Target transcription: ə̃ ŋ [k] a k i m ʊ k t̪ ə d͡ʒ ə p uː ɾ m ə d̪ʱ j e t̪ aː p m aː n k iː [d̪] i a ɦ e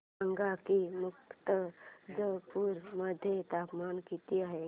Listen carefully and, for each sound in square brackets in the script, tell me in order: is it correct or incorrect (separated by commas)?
incorrect, incorrect